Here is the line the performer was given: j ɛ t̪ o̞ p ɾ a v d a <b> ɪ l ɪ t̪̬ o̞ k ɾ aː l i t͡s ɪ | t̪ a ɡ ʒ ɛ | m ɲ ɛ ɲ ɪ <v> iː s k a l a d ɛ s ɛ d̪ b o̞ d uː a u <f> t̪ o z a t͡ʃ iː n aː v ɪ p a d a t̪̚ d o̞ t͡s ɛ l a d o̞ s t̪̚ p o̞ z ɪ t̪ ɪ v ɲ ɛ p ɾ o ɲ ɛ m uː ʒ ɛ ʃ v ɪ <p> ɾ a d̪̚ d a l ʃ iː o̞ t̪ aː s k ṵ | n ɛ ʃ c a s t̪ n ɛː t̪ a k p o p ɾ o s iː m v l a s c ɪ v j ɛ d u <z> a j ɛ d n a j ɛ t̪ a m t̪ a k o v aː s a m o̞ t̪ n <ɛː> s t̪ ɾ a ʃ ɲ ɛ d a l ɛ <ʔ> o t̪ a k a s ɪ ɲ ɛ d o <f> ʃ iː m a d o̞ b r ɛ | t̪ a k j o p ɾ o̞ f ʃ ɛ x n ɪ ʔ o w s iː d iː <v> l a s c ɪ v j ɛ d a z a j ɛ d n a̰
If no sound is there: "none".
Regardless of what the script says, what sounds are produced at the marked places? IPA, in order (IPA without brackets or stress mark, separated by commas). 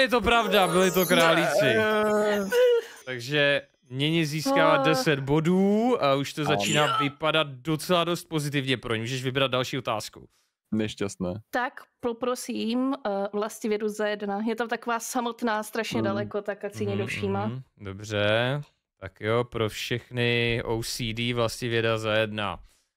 b, z, ʃ, b, z, aː, k, f, v